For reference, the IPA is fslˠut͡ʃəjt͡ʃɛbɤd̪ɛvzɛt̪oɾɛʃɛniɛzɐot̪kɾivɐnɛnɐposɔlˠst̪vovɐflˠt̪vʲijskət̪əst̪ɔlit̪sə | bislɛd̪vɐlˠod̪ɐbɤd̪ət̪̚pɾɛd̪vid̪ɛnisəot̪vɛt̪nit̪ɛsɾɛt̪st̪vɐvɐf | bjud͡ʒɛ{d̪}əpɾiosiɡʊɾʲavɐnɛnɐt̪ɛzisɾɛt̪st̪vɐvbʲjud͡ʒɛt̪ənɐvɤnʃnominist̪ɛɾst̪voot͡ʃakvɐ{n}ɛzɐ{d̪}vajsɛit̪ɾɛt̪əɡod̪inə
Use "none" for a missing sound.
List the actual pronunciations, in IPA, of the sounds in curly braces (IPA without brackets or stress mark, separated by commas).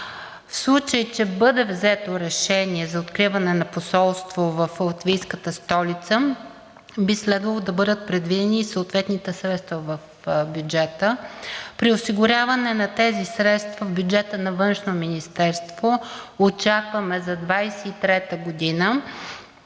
t̪, m, d̪